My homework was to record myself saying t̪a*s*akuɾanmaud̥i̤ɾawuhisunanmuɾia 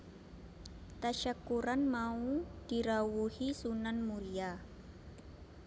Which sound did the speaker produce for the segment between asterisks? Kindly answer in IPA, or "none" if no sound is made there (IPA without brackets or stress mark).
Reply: ʃ